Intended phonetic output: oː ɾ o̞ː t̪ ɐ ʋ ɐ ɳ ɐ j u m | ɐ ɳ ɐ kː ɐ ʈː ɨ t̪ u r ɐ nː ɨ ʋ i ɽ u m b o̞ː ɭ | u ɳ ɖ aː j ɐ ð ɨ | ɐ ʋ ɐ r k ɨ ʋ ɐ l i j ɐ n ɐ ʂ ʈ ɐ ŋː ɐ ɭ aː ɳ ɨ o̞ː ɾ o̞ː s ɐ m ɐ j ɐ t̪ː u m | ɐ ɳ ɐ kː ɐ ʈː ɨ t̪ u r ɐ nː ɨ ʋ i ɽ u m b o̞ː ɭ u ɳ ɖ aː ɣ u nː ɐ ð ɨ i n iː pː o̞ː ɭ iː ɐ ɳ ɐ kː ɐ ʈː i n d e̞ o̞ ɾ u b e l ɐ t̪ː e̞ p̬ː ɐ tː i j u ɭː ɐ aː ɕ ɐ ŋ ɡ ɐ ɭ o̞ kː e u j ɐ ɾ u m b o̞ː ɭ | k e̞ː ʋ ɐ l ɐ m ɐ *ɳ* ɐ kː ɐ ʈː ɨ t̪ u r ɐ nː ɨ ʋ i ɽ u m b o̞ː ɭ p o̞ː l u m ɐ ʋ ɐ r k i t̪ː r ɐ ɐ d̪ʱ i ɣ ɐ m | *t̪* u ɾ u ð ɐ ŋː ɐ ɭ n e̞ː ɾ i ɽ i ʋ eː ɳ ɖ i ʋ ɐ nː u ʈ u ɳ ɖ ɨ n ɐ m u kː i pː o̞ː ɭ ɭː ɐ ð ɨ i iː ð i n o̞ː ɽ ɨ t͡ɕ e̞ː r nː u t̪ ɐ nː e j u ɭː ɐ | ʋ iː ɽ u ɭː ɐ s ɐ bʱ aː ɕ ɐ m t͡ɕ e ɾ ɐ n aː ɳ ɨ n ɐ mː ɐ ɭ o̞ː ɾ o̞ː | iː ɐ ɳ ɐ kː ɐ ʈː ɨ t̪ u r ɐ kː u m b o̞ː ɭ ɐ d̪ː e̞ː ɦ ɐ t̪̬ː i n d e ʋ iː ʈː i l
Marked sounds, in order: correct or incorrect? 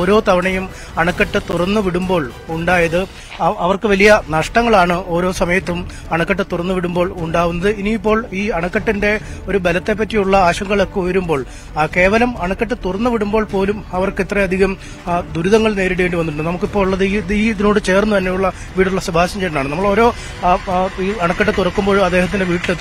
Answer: correct, incorrect

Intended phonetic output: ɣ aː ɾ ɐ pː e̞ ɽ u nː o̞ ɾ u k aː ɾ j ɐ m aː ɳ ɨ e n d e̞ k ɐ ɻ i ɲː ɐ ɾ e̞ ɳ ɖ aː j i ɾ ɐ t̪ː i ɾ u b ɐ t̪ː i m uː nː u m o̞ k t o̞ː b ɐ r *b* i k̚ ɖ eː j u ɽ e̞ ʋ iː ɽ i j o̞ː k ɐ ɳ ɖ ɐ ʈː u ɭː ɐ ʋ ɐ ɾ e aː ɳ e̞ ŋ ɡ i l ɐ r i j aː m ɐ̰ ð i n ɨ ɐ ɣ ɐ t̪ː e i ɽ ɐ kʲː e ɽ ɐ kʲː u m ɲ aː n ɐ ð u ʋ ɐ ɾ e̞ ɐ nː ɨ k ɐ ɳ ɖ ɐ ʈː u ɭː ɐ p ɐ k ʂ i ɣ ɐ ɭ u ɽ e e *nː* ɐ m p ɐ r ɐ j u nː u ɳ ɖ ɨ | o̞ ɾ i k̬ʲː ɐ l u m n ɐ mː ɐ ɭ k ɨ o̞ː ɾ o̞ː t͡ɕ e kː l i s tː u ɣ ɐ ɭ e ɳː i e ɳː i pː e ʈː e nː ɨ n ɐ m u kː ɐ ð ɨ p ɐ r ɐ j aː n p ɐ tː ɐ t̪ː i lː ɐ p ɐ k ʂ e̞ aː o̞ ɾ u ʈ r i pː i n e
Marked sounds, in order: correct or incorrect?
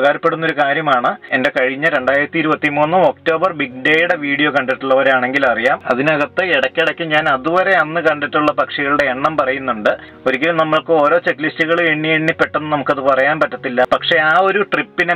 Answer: correct, incorrect

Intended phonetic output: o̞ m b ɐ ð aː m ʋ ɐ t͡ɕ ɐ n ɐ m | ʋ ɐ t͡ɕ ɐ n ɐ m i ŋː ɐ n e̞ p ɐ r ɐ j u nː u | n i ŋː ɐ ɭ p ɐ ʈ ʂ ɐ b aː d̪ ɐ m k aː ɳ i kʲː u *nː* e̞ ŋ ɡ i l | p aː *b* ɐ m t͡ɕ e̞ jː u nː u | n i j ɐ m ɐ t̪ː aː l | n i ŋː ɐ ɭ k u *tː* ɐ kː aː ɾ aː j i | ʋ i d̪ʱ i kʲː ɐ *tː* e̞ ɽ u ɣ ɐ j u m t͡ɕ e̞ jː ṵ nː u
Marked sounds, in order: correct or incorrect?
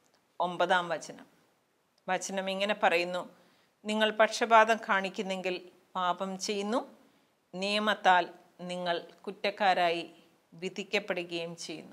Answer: correct, correct, correct, incorrect

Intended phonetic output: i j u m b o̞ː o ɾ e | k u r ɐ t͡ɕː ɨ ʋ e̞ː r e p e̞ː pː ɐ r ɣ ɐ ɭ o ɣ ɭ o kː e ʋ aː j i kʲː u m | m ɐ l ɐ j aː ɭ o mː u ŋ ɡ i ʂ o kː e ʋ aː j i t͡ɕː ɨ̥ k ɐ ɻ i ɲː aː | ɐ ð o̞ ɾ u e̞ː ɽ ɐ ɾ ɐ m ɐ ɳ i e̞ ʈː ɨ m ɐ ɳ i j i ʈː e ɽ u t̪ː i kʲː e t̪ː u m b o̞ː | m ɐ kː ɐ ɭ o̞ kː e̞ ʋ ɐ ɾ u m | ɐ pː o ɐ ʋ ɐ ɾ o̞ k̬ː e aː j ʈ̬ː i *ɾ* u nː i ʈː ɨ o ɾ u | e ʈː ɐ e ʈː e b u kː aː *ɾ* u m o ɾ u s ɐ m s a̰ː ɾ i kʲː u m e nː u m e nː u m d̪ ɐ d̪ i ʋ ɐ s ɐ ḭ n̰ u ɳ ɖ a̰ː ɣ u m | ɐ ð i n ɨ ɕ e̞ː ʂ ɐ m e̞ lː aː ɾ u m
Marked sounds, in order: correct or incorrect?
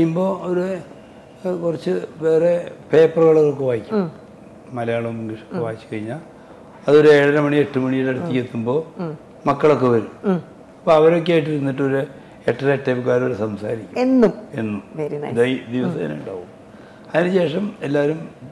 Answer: correct, correct

